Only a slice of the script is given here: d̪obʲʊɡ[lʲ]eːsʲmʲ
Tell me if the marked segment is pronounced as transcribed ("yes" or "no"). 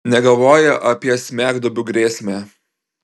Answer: no